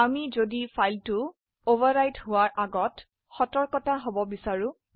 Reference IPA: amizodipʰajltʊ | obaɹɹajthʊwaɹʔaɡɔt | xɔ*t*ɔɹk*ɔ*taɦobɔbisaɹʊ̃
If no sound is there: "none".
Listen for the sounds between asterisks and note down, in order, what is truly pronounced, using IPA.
t, ɔ

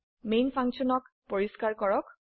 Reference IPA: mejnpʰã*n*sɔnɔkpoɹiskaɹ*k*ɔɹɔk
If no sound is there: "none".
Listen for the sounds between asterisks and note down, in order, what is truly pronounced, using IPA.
ŋ, k

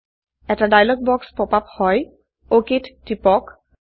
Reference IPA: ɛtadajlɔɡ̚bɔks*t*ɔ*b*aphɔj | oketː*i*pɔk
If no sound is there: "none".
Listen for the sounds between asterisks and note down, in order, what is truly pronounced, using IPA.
p, p, i

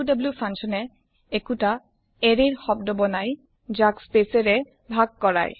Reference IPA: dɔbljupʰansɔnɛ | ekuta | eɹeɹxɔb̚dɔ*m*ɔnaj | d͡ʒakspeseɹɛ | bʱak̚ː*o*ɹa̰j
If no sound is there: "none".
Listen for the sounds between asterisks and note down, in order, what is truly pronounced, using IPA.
b, ɔ

